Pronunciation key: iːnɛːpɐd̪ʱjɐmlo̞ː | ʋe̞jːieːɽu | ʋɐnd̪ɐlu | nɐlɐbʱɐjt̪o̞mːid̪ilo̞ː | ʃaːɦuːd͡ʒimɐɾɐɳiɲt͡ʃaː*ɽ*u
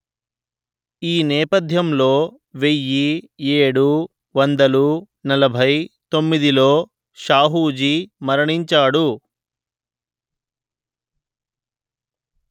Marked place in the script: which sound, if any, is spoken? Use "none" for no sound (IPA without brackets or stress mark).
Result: ɽ